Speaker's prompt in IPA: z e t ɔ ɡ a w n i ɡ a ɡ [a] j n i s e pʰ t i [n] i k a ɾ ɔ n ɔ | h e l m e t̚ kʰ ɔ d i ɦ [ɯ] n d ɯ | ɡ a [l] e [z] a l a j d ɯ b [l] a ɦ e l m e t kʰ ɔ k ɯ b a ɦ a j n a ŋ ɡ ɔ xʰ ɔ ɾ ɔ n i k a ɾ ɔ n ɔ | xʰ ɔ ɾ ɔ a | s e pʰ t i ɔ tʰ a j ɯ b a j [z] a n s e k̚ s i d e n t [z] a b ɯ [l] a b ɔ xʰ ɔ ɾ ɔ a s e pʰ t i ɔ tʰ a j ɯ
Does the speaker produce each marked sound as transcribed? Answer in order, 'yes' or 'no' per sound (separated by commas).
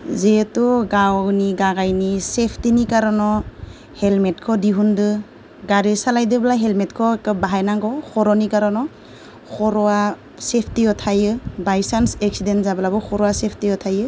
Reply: yes, yes, no, no, no, yes, no, yes, yes